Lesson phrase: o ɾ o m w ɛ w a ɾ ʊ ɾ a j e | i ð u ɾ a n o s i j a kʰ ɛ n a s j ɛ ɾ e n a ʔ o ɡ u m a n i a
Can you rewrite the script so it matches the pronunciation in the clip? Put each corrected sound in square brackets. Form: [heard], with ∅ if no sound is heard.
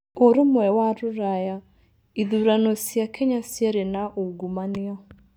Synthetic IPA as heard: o ɾ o m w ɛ w a ɾ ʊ ɾ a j [a] | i ð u ɾ a n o s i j a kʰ ɛ [ɲ] a s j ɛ ɾ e n a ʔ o ɡ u m a n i a